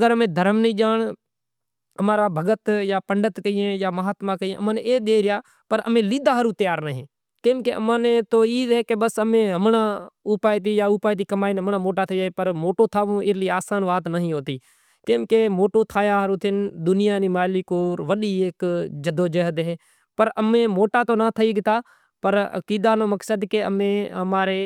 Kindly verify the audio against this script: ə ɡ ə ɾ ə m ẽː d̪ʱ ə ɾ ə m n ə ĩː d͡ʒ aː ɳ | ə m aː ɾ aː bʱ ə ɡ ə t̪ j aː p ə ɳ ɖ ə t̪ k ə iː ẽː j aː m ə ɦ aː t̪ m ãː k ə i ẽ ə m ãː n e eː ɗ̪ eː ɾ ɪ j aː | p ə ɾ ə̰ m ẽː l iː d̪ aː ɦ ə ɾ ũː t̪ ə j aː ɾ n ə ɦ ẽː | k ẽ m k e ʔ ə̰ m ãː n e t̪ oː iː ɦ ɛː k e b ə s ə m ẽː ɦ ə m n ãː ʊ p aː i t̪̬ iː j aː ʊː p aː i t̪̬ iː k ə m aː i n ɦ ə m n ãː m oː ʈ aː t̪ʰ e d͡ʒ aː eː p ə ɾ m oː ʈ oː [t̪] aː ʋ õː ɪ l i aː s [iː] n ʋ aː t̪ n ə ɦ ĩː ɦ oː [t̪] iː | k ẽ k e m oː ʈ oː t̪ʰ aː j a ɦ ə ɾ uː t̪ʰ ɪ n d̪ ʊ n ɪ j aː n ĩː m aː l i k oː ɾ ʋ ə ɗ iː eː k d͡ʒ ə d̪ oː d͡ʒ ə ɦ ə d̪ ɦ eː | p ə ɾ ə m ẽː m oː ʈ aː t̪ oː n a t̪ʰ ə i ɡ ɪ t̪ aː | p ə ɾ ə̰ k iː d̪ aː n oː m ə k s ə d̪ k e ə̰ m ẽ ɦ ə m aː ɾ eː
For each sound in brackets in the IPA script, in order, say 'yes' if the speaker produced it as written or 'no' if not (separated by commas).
no, no, yes